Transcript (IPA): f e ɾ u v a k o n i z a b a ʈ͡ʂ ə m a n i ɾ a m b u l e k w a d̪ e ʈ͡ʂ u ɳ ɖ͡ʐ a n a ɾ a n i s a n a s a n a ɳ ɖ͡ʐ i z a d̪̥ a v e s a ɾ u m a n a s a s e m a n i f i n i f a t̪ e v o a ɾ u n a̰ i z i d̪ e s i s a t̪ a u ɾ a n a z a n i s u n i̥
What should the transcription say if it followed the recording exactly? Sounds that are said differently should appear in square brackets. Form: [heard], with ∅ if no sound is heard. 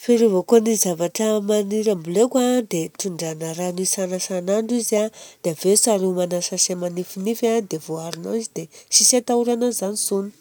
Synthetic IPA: f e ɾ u v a k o n i z a [v] a ʈ͡ʂ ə m a n i ɾ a m b u l e k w a d̪ e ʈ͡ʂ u ɳ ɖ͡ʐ a n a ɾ a n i s a n a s a n a ɳ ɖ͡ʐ i z a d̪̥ a v e s a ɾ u m a n a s a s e m a n i f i n i f a [d̪] e v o a ɾ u n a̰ i z i d̪ e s i s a t̪ a u ɾ a n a z a n i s u n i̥